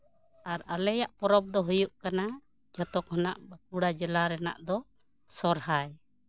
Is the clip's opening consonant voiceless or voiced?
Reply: voiced